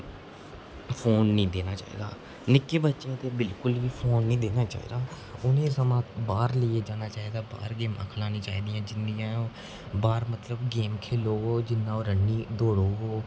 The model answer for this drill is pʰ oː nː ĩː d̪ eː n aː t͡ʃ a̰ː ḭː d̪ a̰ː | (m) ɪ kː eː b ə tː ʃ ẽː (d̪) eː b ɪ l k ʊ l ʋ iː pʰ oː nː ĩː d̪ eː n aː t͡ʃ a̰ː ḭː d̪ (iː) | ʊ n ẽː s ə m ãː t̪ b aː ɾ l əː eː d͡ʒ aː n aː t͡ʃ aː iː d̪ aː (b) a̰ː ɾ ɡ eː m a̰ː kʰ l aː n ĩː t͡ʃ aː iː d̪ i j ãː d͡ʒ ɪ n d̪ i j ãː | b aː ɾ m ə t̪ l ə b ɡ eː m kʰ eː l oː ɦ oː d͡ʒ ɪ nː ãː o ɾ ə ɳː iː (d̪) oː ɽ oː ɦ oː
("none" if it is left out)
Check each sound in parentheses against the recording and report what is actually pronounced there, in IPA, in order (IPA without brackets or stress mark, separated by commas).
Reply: n, t̪, aː, b, d̪